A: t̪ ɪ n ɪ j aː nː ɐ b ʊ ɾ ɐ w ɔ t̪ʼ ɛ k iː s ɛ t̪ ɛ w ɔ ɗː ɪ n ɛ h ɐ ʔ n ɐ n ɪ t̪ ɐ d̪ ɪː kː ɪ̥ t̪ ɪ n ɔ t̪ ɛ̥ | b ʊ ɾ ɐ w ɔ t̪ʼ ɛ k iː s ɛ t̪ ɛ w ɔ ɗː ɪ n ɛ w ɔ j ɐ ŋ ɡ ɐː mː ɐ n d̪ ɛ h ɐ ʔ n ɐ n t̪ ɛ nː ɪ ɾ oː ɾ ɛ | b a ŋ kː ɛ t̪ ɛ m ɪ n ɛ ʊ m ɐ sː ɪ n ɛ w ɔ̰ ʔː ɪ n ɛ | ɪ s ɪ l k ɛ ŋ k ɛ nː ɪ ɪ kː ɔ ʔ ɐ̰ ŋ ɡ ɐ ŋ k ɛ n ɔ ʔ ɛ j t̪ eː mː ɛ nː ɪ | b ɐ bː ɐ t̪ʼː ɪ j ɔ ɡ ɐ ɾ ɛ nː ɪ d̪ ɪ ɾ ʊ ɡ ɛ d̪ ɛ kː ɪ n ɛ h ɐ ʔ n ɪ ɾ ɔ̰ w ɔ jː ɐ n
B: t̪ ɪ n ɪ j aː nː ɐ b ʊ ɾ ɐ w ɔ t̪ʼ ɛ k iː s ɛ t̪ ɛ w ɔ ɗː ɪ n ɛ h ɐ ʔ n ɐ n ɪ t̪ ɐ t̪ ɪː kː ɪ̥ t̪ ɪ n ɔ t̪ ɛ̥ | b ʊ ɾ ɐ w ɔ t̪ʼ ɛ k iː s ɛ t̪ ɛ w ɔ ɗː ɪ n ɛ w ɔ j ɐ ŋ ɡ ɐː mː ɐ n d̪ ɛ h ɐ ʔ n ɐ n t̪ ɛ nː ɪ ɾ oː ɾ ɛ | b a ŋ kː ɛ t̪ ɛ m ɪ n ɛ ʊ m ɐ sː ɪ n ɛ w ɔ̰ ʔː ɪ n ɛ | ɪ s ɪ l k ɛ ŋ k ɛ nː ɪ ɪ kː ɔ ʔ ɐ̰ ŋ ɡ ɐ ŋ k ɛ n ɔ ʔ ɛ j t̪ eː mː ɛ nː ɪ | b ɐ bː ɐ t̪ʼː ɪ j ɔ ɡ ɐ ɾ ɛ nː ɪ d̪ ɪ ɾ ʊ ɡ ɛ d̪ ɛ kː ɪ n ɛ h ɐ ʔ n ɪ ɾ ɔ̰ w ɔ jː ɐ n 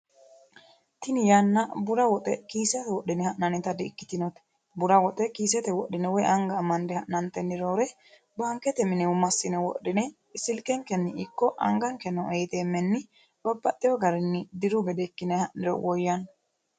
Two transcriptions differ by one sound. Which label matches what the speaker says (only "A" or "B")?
A